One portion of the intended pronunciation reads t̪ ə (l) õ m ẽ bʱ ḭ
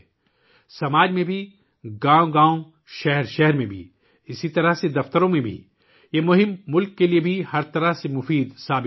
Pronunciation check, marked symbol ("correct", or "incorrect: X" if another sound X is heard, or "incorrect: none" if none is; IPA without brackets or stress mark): incorrect: ɾ